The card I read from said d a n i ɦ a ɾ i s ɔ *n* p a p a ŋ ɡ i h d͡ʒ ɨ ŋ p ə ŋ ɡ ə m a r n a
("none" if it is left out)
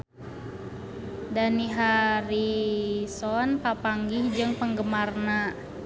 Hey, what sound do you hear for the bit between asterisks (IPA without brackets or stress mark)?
n